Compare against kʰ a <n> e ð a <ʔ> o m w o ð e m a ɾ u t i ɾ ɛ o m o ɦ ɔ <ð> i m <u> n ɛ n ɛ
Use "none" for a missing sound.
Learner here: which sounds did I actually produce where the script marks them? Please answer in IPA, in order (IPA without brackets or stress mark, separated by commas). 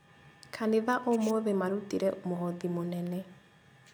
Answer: n, ʔ, ð, o